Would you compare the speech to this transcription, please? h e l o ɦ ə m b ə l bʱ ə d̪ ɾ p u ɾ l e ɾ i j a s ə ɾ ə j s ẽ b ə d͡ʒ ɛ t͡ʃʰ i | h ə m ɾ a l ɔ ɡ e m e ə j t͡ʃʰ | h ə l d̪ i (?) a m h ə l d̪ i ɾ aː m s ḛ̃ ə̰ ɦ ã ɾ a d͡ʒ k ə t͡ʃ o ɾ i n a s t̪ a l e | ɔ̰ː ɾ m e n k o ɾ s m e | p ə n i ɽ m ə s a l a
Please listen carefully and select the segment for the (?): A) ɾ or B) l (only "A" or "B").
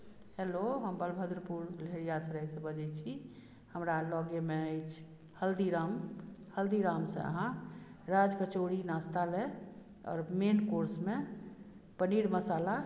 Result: A